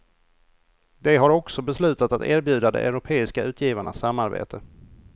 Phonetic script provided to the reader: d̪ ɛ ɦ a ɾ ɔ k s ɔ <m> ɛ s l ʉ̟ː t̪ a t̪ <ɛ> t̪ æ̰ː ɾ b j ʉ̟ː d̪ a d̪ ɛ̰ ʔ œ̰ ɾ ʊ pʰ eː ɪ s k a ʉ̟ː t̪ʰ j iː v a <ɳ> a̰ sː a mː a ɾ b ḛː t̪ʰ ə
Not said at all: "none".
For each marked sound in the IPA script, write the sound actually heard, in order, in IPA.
b, a, ɳ

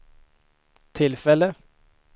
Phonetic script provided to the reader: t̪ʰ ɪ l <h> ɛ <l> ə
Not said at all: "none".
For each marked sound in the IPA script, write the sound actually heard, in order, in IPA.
f, l

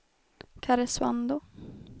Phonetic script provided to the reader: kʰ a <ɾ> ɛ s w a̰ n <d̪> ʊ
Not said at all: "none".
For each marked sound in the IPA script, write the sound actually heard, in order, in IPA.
ɾ, d̪

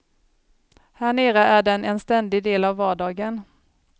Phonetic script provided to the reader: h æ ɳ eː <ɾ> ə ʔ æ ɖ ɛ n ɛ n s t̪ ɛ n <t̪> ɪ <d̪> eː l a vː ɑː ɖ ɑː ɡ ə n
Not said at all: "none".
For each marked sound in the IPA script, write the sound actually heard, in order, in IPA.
ɾ, d̪, d̪

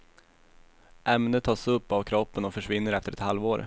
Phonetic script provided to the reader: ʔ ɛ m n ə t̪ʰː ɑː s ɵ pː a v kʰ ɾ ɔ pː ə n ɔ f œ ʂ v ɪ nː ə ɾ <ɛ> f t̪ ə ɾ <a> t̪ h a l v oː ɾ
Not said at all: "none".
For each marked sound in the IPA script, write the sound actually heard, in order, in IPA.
ɛ, ɛ

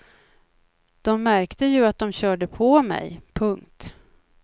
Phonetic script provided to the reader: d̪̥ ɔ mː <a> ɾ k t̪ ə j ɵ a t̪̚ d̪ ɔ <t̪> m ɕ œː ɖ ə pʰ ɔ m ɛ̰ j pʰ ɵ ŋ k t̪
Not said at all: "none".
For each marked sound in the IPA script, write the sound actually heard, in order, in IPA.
æ, none

